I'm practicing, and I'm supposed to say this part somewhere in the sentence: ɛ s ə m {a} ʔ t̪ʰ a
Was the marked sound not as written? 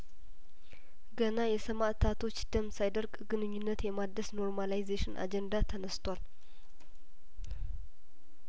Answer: no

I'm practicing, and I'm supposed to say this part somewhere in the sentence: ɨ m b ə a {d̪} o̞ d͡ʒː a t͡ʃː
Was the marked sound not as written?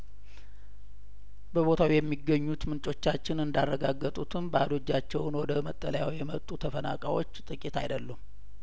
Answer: no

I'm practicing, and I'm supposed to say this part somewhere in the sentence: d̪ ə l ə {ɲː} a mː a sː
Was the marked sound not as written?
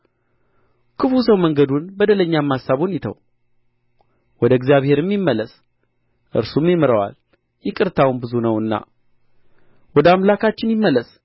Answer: no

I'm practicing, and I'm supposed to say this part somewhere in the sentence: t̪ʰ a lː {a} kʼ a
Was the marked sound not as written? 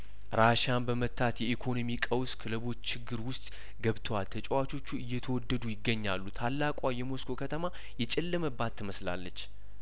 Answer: no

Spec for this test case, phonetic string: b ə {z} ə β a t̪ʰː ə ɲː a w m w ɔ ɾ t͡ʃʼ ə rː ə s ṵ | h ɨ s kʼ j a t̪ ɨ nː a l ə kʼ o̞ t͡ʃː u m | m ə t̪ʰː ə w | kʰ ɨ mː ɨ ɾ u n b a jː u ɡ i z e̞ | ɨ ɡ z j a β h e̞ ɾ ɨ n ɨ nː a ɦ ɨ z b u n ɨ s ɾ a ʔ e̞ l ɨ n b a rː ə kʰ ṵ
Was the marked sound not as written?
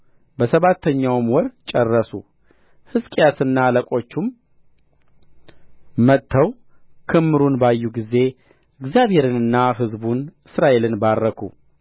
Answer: yes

